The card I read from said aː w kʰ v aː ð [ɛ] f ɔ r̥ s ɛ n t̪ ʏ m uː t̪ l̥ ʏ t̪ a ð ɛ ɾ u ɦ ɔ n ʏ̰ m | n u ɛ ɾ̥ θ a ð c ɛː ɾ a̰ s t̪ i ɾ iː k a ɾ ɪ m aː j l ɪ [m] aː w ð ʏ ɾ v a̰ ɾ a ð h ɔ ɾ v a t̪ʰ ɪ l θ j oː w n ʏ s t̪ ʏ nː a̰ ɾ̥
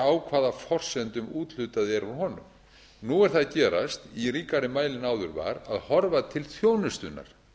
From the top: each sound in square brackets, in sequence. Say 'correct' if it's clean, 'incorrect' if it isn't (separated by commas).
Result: incorrect, incorrect